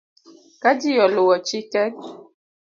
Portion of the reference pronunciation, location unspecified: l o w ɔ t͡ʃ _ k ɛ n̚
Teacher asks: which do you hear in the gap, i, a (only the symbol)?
i